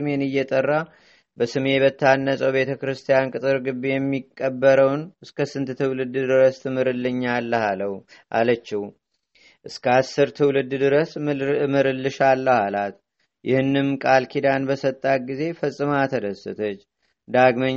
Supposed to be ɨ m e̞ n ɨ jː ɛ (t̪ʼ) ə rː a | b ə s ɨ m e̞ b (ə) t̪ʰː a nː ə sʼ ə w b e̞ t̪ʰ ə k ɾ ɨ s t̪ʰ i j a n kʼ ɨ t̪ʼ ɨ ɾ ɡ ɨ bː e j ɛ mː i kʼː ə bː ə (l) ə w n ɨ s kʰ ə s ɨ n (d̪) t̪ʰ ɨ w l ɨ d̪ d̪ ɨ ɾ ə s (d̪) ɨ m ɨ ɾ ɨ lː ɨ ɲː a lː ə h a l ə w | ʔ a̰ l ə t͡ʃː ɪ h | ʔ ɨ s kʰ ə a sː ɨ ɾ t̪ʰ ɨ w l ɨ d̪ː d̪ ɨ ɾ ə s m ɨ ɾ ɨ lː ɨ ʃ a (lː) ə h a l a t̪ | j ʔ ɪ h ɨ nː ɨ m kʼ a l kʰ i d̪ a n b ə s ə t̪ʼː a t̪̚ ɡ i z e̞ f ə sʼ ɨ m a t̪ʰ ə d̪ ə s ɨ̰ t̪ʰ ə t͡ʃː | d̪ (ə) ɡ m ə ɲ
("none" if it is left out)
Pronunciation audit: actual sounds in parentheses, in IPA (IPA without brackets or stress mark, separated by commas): t̪ʼ, ə, ɾ, t̪, t̪, lː, a